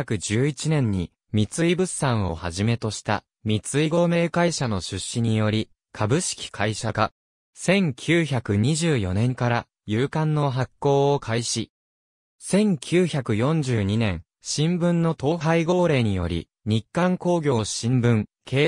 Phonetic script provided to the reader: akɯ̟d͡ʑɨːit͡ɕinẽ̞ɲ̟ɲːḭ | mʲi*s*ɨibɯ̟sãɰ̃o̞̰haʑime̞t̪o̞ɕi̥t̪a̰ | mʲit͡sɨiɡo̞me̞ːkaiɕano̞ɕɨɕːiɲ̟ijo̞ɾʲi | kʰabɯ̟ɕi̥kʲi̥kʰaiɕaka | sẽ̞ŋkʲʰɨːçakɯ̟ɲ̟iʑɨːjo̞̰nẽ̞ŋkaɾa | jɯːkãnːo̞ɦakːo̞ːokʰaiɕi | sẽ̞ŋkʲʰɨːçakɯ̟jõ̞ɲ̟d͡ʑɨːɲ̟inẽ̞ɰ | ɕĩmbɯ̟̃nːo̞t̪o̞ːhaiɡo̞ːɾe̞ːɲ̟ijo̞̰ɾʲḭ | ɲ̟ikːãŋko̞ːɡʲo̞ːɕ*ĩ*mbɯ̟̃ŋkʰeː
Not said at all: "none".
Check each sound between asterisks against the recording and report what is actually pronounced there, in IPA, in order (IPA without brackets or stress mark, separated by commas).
t͡s, ĩ